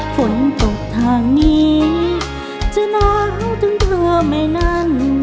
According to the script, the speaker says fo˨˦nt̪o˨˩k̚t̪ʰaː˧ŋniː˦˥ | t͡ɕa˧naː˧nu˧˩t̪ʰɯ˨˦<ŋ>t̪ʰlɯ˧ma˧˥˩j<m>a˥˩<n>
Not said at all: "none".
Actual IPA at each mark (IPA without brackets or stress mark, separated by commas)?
ŋ, n, n